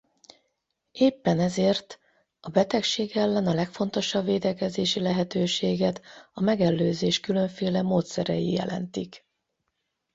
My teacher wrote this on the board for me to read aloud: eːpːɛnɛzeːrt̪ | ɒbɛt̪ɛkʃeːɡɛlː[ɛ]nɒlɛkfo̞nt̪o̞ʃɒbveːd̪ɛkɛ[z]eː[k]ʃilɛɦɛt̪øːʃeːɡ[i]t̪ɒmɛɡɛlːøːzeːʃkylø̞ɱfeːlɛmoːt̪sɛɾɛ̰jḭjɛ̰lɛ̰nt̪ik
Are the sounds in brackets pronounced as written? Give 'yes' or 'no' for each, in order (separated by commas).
yes, yes, no, no